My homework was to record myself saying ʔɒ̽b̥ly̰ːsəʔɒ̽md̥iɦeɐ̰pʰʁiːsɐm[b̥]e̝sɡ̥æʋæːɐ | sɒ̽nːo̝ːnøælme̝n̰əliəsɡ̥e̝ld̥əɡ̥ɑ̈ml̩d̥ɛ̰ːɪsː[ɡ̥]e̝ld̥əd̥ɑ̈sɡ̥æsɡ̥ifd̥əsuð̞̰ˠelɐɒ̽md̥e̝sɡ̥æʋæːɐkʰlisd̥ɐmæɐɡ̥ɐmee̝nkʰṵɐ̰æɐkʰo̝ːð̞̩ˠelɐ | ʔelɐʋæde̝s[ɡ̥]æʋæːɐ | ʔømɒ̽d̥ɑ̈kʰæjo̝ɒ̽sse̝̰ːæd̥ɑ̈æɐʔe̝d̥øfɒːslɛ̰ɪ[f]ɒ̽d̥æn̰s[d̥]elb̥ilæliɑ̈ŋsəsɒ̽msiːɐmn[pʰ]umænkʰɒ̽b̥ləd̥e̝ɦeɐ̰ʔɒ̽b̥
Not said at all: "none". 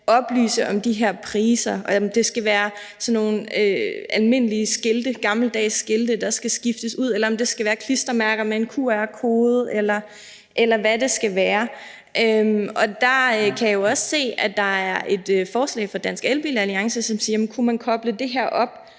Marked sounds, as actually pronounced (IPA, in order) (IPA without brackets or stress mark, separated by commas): d̥, ɡ̥, ɡ̥, f, ɡ̥, kʰ